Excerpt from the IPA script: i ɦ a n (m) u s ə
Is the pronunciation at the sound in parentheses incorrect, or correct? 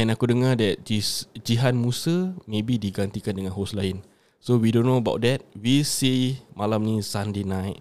correct